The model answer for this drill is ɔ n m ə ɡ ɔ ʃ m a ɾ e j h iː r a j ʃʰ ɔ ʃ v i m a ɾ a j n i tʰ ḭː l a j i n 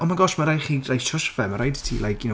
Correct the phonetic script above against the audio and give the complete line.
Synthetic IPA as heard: ɔ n m a ɡ ɔ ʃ m a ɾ a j χ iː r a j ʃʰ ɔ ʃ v ɛ m a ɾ a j d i tʰ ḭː l a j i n